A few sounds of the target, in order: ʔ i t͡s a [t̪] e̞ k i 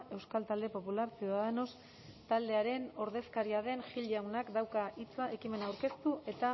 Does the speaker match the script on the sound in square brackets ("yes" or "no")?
no